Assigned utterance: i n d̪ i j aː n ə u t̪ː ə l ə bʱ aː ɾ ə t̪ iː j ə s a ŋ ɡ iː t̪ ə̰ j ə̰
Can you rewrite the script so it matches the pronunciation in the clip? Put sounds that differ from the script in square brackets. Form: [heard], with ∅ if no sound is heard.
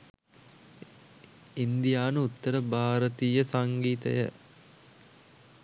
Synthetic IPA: i n d̪ i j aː n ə u t̪ː ə [ɾ] ə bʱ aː ɾ ə t̪ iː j ə s a ŋ ɡ iː t̪ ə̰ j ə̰